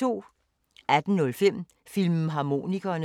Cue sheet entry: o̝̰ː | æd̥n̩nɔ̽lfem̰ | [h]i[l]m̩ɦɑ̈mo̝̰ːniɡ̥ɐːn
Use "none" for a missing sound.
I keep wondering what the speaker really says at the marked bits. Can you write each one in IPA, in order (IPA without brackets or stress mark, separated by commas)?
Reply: f, l